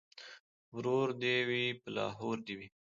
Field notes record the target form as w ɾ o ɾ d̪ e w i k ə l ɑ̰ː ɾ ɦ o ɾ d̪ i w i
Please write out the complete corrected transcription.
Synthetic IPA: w ɾ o ɾ d̪ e w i p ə l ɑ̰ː ɦ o ɾ d̪ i w i

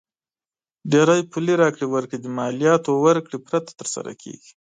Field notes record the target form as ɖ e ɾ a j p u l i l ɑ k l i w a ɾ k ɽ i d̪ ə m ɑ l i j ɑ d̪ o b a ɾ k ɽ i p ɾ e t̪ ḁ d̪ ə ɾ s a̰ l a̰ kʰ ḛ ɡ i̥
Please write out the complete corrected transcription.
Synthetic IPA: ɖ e ɾ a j p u l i ɾ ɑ k ɽ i w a ɾ k ɽ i d̪ ə m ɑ l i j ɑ t̪ o w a ɾ k ɽ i p ɾ a t̪ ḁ t̪ ə ɾ s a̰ ɾ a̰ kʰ ḛ ɡ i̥

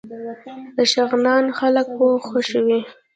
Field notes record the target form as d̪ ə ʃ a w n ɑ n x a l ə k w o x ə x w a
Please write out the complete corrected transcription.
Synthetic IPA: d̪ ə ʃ a ɣ n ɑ n x a l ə k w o x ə ʃ w i

